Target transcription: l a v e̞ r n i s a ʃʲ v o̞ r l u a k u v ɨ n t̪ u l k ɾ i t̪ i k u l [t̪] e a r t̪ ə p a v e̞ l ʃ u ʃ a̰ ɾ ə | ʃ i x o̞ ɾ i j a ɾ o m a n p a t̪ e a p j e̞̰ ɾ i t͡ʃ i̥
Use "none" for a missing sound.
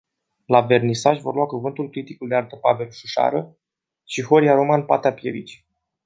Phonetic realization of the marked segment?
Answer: d̪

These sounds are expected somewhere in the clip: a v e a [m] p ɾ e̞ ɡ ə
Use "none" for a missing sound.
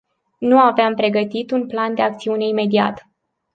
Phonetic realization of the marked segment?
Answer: m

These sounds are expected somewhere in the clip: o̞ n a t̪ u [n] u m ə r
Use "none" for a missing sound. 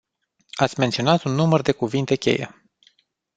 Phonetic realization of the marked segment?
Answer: nː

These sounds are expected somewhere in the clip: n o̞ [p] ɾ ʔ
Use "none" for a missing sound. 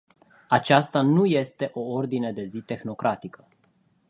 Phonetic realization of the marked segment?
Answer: k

